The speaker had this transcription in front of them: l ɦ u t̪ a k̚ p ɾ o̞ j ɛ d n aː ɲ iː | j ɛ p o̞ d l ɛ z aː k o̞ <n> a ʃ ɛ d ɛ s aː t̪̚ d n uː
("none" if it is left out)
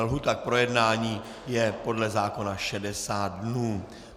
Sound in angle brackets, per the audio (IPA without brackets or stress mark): n